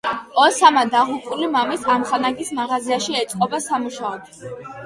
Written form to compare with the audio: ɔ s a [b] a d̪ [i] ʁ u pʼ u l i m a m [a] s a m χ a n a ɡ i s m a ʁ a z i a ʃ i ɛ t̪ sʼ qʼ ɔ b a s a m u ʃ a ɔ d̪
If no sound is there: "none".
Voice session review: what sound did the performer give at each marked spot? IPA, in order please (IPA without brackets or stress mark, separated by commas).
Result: m, a, i